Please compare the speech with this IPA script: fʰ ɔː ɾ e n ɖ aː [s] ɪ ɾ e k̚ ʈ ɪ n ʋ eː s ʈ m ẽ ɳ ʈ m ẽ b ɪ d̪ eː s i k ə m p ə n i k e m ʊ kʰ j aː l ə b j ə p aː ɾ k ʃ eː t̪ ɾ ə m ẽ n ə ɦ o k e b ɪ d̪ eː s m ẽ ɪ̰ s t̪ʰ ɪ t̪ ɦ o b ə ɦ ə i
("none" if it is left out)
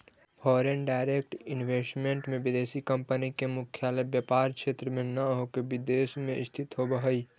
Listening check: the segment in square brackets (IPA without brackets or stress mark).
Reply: none